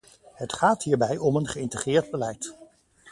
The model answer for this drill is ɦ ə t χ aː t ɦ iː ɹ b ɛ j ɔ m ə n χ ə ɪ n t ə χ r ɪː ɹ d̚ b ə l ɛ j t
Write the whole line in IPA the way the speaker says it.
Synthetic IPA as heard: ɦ ə t χ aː t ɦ iː ɹ b ɛ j ɔ m ə n χ ə ɪ n t ə χ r ɪː ɹ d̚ b ə l ɛ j t